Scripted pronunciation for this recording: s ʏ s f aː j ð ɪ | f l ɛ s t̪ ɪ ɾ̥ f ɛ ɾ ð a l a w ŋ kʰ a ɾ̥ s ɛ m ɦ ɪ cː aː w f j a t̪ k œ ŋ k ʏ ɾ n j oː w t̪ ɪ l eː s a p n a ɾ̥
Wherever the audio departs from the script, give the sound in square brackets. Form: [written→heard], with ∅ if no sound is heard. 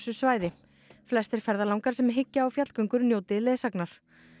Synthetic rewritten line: s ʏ s [f→v] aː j ð ɪ | f l ɛ s t̪ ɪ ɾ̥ f ɛ ɾ ð a l a w ŋ [kʰ→k] a ɾ̥ s ɛ m ɦ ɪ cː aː w f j a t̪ k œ ŋ k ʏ ɾ n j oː w t̪ ɪ l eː s a [p→k] n a ɾ̥